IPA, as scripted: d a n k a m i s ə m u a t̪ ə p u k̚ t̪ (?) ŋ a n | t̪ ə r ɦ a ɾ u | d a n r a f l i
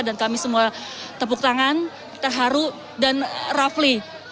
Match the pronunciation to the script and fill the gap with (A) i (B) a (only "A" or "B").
B